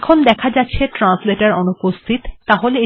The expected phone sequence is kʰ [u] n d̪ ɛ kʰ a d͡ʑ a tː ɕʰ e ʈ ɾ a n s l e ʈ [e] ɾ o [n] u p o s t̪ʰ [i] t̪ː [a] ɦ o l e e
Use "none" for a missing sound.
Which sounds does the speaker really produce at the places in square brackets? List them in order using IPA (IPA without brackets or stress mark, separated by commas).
o, a, n, i, a